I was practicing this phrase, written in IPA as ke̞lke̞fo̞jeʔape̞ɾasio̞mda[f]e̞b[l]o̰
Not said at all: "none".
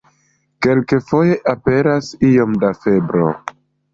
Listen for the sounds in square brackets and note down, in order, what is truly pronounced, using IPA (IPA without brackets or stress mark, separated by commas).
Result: f, ɾ